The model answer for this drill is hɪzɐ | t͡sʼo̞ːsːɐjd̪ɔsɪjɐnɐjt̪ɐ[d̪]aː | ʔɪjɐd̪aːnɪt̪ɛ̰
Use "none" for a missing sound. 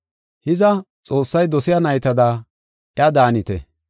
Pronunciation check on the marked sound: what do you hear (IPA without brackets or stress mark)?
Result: d̪